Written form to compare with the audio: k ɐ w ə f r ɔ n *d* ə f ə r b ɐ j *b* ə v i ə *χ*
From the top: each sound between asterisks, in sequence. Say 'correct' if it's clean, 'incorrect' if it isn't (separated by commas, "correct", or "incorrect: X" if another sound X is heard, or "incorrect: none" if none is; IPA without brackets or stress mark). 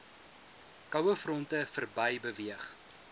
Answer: incorrect: t, correct, correct